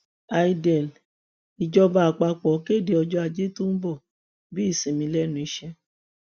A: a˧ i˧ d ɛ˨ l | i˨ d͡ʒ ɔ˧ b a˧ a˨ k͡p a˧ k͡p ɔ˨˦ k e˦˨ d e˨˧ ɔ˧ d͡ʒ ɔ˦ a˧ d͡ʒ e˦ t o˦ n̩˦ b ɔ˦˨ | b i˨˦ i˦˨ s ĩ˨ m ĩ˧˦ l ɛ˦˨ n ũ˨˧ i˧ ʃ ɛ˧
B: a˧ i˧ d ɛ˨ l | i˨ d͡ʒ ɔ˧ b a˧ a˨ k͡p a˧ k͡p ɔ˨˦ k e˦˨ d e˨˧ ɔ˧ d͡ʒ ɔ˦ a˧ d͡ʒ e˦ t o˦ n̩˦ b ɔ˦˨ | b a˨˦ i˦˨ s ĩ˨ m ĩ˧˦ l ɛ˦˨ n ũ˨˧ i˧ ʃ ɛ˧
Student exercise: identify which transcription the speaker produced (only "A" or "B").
A